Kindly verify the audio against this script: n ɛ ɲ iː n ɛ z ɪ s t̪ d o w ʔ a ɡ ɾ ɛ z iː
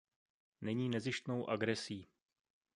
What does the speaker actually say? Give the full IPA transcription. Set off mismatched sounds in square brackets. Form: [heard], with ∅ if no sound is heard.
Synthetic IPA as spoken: n ɛ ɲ iː n ɛ z ɪ [ʃ] t̪ [n] o w ʔ a ɡ ɾ ɛ [s] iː